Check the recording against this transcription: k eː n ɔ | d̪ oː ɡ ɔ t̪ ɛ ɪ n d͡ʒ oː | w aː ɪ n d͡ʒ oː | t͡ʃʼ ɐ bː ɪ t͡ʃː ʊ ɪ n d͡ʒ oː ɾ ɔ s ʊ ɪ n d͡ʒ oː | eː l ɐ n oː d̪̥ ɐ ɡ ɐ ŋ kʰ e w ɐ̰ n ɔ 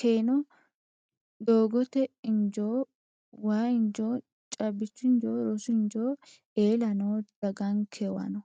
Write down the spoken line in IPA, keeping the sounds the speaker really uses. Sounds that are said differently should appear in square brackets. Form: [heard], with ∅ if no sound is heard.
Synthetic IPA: k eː n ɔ | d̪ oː ɡ ɔ t̪ ɛ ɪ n d͡ʒ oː | w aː ɪ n d͡ʒ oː | t͡ʃʼ ɐ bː ɪ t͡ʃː ʊ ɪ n d͡ʒ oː ɾ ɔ s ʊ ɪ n d͡ʒ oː | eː l ɐ n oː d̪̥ ɐ ɡ ɐ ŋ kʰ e w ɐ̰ n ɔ